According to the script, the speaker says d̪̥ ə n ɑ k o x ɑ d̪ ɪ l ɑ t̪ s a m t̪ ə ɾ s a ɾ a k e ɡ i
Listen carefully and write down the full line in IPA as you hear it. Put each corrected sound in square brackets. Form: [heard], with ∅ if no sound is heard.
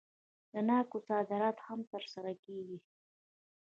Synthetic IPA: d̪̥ ə n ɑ k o [s] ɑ d̪ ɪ [ɾ] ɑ t̪ [h] a m t̪ ə ɾ s a ɾ a k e ɡ i